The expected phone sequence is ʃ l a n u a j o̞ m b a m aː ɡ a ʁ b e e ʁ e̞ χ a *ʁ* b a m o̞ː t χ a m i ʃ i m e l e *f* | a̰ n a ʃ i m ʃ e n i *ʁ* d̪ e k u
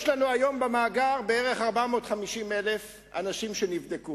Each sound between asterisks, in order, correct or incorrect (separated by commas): correct, correct, incorrect